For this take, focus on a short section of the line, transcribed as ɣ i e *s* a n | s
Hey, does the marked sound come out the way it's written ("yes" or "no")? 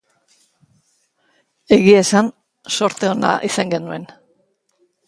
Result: yes